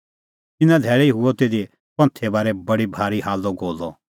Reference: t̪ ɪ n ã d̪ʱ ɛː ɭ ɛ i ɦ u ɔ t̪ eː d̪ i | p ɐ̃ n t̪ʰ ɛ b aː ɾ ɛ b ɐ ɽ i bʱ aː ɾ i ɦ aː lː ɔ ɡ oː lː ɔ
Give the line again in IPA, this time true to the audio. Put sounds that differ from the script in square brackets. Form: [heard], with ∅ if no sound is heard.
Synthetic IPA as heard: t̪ ɪ n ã d̪ʱ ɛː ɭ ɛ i ɦ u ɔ t̪ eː d̪ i | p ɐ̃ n t̪ʰ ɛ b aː ɾ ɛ b ɐ ɽ i bʱ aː ɾ i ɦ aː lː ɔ ɡ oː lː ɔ